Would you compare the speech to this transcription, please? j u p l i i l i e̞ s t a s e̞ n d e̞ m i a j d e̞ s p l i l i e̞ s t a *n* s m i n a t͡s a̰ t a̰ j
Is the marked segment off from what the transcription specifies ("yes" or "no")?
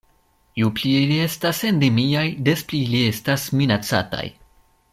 yes